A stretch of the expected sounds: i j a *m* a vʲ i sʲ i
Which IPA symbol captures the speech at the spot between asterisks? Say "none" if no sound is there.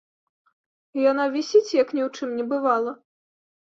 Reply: n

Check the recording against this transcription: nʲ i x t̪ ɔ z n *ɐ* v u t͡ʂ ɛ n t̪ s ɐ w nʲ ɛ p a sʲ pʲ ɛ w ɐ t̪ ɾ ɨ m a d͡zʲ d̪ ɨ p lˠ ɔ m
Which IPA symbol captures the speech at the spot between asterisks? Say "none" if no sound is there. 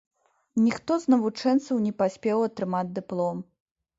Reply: ɐ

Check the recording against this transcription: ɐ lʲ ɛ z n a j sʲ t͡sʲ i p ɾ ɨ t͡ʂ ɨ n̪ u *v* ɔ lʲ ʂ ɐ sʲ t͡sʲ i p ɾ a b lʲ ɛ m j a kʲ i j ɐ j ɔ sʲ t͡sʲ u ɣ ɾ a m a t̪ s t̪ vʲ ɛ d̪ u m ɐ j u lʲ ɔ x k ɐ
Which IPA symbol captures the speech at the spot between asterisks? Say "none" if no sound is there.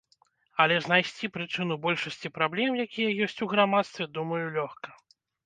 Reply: b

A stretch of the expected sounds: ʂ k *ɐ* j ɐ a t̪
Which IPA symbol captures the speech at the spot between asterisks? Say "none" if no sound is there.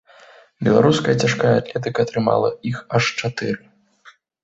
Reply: a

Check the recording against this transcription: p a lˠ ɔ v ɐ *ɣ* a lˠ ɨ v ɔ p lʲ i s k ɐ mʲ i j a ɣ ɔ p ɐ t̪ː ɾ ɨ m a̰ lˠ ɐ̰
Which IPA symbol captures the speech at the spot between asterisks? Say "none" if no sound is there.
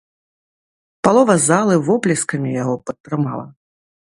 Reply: z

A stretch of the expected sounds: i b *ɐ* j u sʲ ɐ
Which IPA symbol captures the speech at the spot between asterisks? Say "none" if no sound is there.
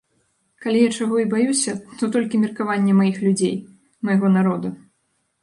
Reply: a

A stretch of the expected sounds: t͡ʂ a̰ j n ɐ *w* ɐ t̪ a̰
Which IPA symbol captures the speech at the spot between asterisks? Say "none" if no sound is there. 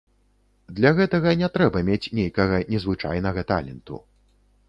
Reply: ɣ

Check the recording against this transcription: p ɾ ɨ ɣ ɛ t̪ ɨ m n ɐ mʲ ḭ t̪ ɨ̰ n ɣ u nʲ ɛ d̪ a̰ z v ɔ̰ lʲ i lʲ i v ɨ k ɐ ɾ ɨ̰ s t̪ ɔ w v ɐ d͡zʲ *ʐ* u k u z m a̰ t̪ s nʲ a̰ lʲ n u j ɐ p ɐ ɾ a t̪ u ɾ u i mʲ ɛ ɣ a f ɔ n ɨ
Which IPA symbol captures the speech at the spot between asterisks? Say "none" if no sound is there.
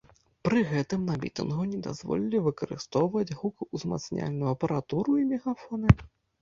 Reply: ɣ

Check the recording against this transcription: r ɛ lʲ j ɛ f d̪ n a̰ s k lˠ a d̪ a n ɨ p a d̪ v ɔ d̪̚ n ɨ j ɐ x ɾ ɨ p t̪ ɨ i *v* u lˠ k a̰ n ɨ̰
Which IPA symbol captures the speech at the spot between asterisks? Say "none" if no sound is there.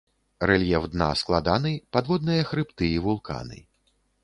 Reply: v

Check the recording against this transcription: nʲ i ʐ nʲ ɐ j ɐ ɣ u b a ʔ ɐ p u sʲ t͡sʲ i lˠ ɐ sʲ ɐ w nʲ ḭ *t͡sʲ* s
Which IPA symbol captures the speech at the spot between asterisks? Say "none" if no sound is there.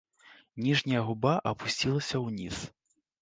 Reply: none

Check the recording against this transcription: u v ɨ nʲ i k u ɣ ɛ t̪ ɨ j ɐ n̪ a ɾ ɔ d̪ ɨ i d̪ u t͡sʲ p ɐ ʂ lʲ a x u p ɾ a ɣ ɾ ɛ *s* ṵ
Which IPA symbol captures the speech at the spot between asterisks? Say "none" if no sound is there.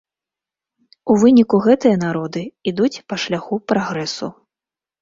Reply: s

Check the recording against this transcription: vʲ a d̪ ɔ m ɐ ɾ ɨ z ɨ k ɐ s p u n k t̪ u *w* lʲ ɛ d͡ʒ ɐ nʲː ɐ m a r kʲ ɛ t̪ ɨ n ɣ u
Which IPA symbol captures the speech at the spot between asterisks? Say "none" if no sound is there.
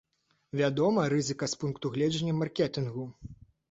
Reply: ɣ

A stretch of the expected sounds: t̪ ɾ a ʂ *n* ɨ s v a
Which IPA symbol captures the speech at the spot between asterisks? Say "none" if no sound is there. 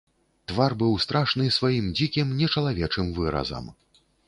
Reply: n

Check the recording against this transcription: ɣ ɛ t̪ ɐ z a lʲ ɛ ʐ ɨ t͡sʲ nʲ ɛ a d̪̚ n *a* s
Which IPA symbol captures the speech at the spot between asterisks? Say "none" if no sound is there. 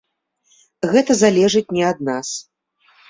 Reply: a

